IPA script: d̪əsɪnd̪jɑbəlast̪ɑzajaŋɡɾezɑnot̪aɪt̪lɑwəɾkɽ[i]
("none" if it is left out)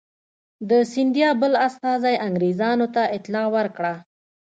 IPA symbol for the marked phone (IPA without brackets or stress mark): a